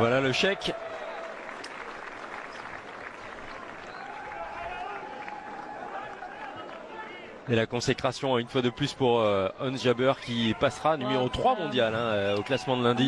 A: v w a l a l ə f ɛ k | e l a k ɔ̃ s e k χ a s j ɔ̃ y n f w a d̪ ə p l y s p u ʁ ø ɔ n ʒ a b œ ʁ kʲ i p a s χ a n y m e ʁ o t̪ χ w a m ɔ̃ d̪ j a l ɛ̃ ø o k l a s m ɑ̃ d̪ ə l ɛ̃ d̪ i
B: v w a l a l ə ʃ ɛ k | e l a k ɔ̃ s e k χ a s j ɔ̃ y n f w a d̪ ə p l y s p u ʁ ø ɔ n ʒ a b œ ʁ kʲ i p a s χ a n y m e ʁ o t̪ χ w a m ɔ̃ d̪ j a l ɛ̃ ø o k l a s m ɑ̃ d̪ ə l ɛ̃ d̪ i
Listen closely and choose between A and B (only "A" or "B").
B